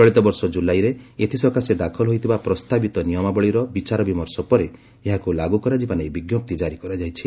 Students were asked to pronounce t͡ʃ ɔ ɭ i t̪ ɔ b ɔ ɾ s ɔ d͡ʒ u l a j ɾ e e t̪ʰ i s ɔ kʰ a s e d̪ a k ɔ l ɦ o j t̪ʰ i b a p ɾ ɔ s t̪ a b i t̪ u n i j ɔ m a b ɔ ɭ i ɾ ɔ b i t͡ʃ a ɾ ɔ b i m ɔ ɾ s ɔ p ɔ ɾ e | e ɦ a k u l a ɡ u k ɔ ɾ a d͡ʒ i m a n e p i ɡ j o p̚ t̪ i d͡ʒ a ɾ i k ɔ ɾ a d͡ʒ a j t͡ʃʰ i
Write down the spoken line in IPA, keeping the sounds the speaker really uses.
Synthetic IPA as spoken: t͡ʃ ɔ ɭ i t̪ ɔ b ɔ ɾ s ɔ d͡ʒ u l a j ɾ e e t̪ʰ i s ɔ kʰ a s e d̪ a kʰ ɔ l ɦ o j t̪ʰ i b a p ɾ ɔ s t̪ a b i t̪ ɔ n i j ɔ m a b ɔ ɭ i ɾ ɔ b i t͡ʃ a ɾ ɔ b i m ɔ ɾ s ɔ p ɔ ɾ e | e ɦ a k u l a ɡ u k ɔ ɾ a d͡ʒ i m a n e b i ɡ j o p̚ t̪ i d͡ʒ a ɾ i k ɔ ɾ a d͡ʒ a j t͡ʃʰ i